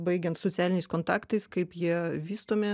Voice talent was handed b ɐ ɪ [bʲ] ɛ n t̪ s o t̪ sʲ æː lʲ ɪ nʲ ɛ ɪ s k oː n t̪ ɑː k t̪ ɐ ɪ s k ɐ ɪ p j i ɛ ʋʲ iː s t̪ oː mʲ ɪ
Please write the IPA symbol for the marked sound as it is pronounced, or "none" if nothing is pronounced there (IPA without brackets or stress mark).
ɡʲ